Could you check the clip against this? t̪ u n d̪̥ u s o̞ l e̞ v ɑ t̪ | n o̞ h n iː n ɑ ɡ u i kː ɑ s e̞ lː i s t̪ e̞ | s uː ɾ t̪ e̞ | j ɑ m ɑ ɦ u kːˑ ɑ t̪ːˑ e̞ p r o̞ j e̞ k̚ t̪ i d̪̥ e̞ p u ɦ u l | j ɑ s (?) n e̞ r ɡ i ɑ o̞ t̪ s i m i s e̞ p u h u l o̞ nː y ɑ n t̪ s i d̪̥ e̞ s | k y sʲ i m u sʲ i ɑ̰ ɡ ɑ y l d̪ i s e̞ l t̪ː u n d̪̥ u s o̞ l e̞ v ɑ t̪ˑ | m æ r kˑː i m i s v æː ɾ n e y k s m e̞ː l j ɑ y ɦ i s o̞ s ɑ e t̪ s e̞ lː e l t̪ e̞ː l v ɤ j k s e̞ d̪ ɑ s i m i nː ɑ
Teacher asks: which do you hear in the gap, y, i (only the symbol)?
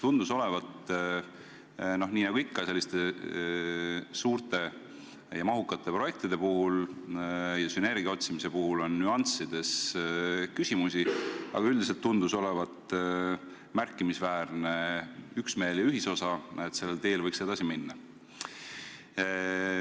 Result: y